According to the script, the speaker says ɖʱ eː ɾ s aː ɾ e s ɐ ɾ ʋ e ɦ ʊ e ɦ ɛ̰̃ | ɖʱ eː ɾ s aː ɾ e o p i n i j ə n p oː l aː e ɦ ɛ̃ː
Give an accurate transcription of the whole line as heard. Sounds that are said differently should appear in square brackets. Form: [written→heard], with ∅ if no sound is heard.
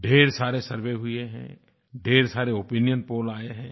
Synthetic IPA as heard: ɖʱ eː ɾ s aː ɾ e s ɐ ɾ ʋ e ɦ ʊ e ɦ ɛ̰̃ | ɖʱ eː ɾ s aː ɾ e o p i n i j ə n p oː l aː e ɦ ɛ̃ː

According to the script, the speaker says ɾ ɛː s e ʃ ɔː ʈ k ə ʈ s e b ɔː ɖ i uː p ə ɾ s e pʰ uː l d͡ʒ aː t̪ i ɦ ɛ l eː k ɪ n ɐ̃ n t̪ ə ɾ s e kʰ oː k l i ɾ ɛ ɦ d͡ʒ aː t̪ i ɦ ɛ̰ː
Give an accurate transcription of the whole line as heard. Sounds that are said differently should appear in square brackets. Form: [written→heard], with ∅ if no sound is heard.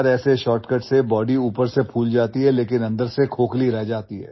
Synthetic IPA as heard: ɾ ɛː s e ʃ ɔː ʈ k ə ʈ s e b ɔː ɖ i uː p ə ɾ s e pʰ uː l d͡ʒ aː t̪ i ɦ ɛ l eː k ɪ n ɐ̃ n [t̪→d̪] ə ɾ s e kʰ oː k l i ɾ ɛ ɦ d͡ʒ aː t̪ i ɦ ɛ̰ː

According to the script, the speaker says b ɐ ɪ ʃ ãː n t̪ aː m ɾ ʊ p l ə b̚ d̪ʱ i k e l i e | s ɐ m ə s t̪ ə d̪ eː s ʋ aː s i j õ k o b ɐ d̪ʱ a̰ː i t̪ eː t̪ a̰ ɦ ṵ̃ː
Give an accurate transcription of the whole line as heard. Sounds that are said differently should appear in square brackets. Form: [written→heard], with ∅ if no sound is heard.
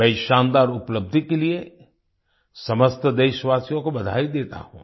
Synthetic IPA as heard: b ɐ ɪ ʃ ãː n [t̪→d̪] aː [m→∅] ɾ ʊ p l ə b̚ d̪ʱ i k e l i e | s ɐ m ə s t̪ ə d̪ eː [s→ʃ] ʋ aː s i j õ k o b ɐ d̪ʱ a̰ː i [t̪→d̪] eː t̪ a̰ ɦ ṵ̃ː

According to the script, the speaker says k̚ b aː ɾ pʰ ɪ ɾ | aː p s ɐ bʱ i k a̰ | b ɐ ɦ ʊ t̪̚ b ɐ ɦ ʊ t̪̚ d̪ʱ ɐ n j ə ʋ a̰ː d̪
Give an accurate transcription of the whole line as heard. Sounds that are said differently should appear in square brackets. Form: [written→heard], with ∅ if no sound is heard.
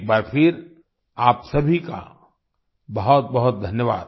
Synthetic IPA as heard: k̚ b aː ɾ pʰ ɪ ɾ | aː p s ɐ bʱ i k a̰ | b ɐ ɦ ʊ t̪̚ b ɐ ɦ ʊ t̪̚ d̪ʱ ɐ n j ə ʋ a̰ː d̪

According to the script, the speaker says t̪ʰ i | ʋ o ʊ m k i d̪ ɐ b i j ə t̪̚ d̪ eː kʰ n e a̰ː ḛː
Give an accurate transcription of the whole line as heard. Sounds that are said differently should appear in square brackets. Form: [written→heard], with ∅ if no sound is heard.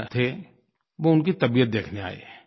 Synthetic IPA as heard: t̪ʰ [i→e] | ʋ o ʊ [m→n] k i [d̪→t̪] ɐ b i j ə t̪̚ d̪ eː kʰ n e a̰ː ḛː

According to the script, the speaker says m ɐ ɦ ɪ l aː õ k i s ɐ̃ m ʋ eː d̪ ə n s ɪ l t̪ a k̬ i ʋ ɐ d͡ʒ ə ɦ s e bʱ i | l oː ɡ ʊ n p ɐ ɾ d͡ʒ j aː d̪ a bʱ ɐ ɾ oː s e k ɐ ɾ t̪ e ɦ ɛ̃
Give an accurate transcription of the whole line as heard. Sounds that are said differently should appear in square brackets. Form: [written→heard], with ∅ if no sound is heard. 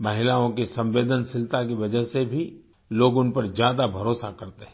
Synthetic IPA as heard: m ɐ ɦ ɪ l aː õ k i s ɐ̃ m ʋ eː d̪ ə n s ɪ l t̪ a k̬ i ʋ ɐ d͡ʒ ə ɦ s e bʱ i | l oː ɡ ʊ n p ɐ ɾ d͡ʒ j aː d̪ a bʱ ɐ ɾ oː s [e→a] k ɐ ɾ t̪ e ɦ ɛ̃

